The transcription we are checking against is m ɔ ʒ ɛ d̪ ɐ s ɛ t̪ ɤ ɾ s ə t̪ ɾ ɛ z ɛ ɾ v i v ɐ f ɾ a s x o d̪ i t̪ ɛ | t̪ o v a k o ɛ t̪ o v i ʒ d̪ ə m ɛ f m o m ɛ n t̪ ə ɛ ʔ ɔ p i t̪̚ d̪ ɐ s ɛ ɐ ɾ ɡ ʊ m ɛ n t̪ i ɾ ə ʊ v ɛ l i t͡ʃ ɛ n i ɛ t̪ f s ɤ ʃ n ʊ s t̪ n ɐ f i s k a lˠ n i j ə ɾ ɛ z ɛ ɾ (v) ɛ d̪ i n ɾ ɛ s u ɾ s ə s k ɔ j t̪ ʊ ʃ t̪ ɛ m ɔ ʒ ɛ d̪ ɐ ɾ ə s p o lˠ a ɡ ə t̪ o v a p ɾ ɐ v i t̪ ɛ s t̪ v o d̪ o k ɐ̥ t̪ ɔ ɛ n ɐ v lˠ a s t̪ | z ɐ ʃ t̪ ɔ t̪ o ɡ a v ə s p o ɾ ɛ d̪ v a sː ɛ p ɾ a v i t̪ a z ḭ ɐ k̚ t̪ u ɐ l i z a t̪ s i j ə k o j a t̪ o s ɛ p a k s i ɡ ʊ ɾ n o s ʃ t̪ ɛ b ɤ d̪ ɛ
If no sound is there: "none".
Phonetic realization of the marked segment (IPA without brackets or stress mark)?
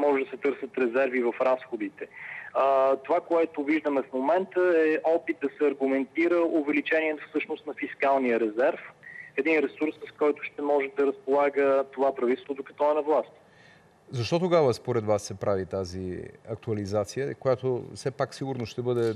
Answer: f